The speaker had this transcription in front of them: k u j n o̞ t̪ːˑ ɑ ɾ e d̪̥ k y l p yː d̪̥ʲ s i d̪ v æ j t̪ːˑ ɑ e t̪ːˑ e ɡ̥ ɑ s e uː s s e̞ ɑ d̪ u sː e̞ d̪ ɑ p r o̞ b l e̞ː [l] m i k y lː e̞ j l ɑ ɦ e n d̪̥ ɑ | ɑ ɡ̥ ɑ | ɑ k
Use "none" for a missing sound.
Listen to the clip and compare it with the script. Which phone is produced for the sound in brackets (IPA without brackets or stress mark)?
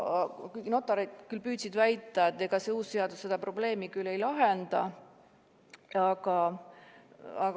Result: none